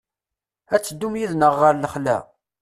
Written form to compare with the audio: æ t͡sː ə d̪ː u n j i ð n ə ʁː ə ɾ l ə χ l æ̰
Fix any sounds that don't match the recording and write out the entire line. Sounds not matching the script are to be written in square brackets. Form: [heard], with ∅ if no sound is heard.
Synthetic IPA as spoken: æ t͡sː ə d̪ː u [m] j i ð n ə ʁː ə ɾ l ə χ l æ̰